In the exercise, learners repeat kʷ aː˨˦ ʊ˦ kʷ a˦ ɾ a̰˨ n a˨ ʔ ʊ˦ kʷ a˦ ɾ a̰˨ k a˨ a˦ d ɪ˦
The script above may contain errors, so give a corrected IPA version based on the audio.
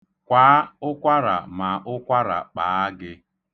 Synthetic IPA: kʷ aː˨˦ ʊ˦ kʷ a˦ ɾ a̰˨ m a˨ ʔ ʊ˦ kʷ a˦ ɾ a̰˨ k͡p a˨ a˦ ɡ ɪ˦